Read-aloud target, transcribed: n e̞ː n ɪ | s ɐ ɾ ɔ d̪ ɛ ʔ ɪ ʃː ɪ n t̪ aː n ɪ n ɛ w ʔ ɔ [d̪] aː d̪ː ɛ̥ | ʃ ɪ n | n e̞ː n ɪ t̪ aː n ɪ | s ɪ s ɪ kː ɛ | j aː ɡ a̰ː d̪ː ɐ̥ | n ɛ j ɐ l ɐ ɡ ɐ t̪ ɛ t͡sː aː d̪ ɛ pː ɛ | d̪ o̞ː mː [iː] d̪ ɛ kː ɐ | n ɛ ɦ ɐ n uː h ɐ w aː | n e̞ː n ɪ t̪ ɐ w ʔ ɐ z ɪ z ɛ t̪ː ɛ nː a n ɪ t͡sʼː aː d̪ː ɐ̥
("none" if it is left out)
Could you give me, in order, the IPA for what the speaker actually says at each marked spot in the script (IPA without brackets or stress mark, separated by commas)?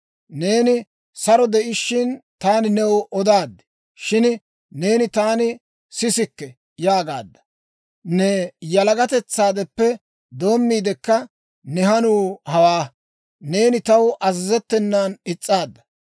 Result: d̪, iː